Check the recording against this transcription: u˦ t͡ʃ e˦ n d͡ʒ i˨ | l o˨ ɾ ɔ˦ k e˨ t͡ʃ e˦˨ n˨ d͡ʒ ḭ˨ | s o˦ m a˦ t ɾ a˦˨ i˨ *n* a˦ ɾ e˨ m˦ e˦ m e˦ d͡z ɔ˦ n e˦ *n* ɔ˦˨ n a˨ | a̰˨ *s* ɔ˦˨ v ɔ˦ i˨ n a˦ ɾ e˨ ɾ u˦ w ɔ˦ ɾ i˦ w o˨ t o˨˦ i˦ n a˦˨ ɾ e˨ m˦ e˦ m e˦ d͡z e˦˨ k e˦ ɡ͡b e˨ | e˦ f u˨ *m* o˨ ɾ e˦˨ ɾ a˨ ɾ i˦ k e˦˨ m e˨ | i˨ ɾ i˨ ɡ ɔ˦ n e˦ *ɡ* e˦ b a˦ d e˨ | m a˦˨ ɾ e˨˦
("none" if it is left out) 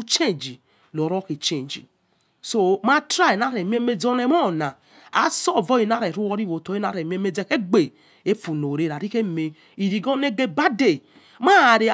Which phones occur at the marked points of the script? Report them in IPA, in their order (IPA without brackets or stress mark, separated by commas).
n, m, s, n, ɡ